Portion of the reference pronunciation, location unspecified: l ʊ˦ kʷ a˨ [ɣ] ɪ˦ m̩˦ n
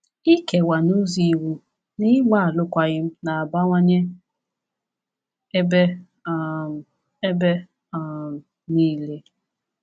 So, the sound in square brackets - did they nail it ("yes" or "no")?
yes